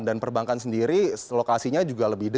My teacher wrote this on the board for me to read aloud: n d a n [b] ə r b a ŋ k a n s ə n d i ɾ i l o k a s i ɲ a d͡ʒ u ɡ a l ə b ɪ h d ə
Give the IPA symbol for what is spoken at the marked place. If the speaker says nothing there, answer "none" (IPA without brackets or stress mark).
p